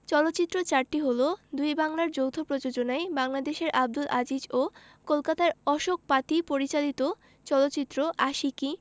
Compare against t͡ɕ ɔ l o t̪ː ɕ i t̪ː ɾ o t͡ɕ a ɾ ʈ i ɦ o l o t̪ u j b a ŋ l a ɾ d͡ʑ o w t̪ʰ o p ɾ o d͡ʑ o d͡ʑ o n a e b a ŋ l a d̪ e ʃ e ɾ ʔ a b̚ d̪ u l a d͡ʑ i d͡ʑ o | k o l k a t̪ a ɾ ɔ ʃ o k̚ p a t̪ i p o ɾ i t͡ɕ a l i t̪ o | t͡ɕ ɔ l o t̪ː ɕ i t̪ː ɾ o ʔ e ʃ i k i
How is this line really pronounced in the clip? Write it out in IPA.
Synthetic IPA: t͡ɕ ɔ l o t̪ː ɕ i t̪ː ɾ o t͡ɕ a ɾ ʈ i ɦ o l o d̪ u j b a ŋ l a ɾ d͡ʑ o w t̪ʰ o p ɾ o d͡ʑ o d͡ʑ o n a e b a ŋ l a d̪ e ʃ e ɾ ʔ a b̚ d̪ u l a d͡ʑ i d͡ʑ o | k o l k a t̪ a ɾ ɔ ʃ o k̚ p a t̪ i p o ɾ i t͡ɕ a l i t̪ o | t͡ɕ ɔ l o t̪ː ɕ i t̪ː ɾ o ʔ a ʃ i k i